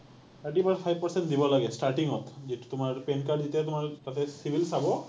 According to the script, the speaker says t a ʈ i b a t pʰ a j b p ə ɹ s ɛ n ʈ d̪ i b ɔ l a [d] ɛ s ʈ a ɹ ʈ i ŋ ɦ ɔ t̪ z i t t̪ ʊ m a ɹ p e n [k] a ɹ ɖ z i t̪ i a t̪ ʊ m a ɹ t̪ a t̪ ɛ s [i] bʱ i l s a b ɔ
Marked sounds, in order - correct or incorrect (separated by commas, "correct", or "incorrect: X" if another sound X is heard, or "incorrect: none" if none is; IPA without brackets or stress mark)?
incorrect: ɡ, correct, correct